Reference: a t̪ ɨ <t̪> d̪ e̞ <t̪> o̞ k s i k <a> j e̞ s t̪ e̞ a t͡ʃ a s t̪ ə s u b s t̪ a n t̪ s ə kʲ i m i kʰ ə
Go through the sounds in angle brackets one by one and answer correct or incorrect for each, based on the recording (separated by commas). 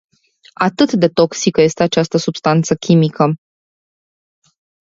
correct, correct, incorrect